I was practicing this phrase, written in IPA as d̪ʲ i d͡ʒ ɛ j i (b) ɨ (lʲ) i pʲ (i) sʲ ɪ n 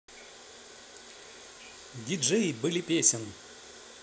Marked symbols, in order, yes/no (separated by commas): yes, yes, no